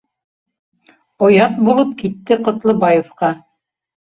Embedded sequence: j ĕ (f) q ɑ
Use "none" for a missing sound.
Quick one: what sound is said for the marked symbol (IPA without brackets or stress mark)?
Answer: f